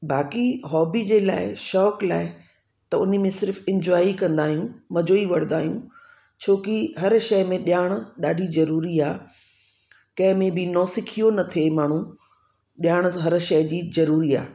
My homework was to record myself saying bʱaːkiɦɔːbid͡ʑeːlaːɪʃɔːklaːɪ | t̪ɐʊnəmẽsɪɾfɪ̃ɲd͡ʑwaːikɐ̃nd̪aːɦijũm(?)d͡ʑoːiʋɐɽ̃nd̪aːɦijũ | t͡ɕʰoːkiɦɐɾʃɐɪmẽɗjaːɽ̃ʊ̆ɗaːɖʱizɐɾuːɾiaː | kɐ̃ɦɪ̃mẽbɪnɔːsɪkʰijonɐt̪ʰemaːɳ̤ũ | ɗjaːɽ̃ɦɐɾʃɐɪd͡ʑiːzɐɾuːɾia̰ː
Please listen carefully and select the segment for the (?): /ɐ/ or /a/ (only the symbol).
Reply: ɐ